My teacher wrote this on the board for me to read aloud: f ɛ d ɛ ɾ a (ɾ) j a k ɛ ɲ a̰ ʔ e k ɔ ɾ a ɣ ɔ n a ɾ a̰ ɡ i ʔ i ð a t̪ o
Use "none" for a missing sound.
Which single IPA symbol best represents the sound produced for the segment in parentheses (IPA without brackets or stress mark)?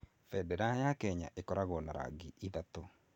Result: none